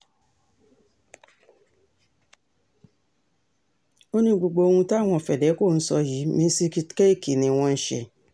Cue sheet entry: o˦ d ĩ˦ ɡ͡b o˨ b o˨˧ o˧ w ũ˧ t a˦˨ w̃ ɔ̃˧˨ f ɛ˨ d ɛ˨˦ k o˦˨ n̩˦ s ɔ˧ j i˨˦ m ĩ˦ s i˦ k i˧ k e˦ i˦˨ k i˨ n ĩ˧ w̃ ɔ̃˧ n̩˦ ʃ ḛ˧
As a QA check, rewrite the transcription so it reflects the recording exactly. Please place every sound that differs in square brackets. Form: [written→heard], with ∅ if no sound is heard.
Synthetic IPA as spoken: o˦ [d→n] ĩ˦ ɡ͡b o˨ [b→ɡ͡b] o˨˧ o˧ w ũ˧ t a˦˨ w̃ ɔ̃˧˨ f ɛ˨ d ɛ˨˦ k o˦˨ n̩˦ s ɔ˧ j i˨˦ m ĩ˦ s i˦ k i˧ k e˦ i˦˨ k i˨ n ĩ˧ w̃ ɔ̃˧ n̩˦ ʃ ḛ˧